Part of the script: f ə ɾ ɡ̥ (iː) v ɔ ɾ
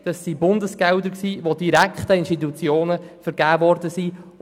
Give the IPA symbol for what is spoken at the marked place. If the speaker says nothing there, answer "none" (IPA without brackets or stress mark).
æː